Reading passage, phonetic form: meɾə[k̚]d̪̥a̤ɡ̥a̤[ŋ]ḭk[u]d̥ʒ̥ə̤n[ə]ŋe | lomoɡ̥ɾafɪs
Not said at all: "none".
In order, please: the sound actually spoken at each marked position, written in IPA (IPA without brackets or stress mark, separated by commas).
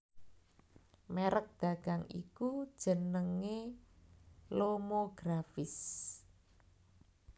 k̚, ŋ, u, ə